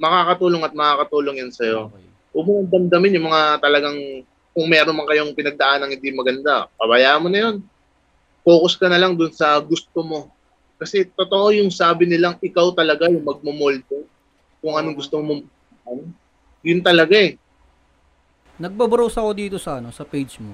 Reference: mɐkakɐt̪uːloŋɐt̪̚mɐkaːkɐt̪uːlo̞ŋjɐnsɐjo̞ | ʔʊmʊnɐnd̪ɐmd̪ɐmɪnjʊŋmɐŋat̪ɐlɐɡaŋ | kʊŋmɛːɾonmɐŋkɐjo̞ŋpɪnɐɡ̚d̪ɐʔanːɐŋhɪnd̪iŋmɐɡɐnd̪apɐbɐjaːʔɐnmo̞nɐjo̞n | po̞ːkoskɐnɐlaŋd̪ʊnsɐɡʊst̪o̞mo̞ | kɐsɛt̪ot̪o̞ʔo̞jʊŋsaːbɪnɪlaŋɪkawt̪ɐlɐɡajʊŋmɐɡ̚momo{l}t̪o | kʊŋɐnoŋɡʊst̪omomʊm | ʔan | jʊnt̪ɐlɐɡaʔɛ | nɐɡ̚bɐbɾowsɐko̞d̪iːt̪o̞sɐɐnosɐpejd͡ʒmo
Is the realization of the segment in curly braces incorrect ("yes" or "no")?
no